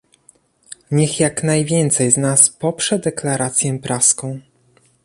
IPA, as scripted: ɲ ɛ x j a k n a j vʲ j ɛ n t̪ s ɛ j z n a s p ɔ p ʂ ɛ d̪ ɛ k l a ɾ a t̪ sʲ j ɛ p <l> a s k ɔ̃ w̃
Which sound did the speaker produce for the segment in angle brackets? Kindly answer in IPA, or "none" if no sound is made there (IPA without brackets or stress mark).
ɾ